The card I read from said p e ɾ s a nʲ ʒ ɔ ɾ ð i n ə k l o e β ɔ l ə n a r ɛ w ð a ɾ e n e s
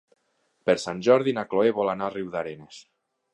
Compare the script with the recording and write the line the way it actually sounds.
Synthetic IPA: p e ɾ s a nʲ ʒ ɔ ɾ ð i n a k l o e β ɔ l a n a r i w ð a ɾ e n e s